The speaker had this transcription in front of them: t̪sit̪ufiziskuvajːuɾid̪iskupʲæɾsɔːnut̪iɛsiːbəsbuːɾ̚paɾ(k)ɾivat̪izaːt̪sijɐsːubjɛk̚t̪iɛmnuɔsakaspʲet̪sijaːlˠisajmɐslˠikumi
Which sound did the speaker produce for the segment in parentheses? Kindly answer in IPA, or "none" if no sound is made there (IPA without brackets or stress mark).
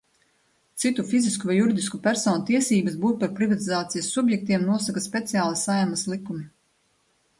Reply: p